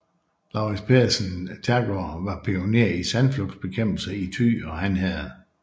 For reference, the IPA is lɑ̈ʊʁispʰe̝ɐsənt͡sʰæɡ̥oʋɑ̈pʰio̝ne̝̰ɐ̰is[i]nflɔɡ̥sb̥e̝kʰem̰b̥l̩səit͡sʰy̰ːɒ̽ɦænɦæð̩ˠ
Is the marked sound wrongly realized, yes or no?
yes